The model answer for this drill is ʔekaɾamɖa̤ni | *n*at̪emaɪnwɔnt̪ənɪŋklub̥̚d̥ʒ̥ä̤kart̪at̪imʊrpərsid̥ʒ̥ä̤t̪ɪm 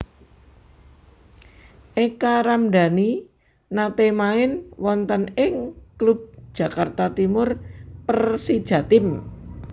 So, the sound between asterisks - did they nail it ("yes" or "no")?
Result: yes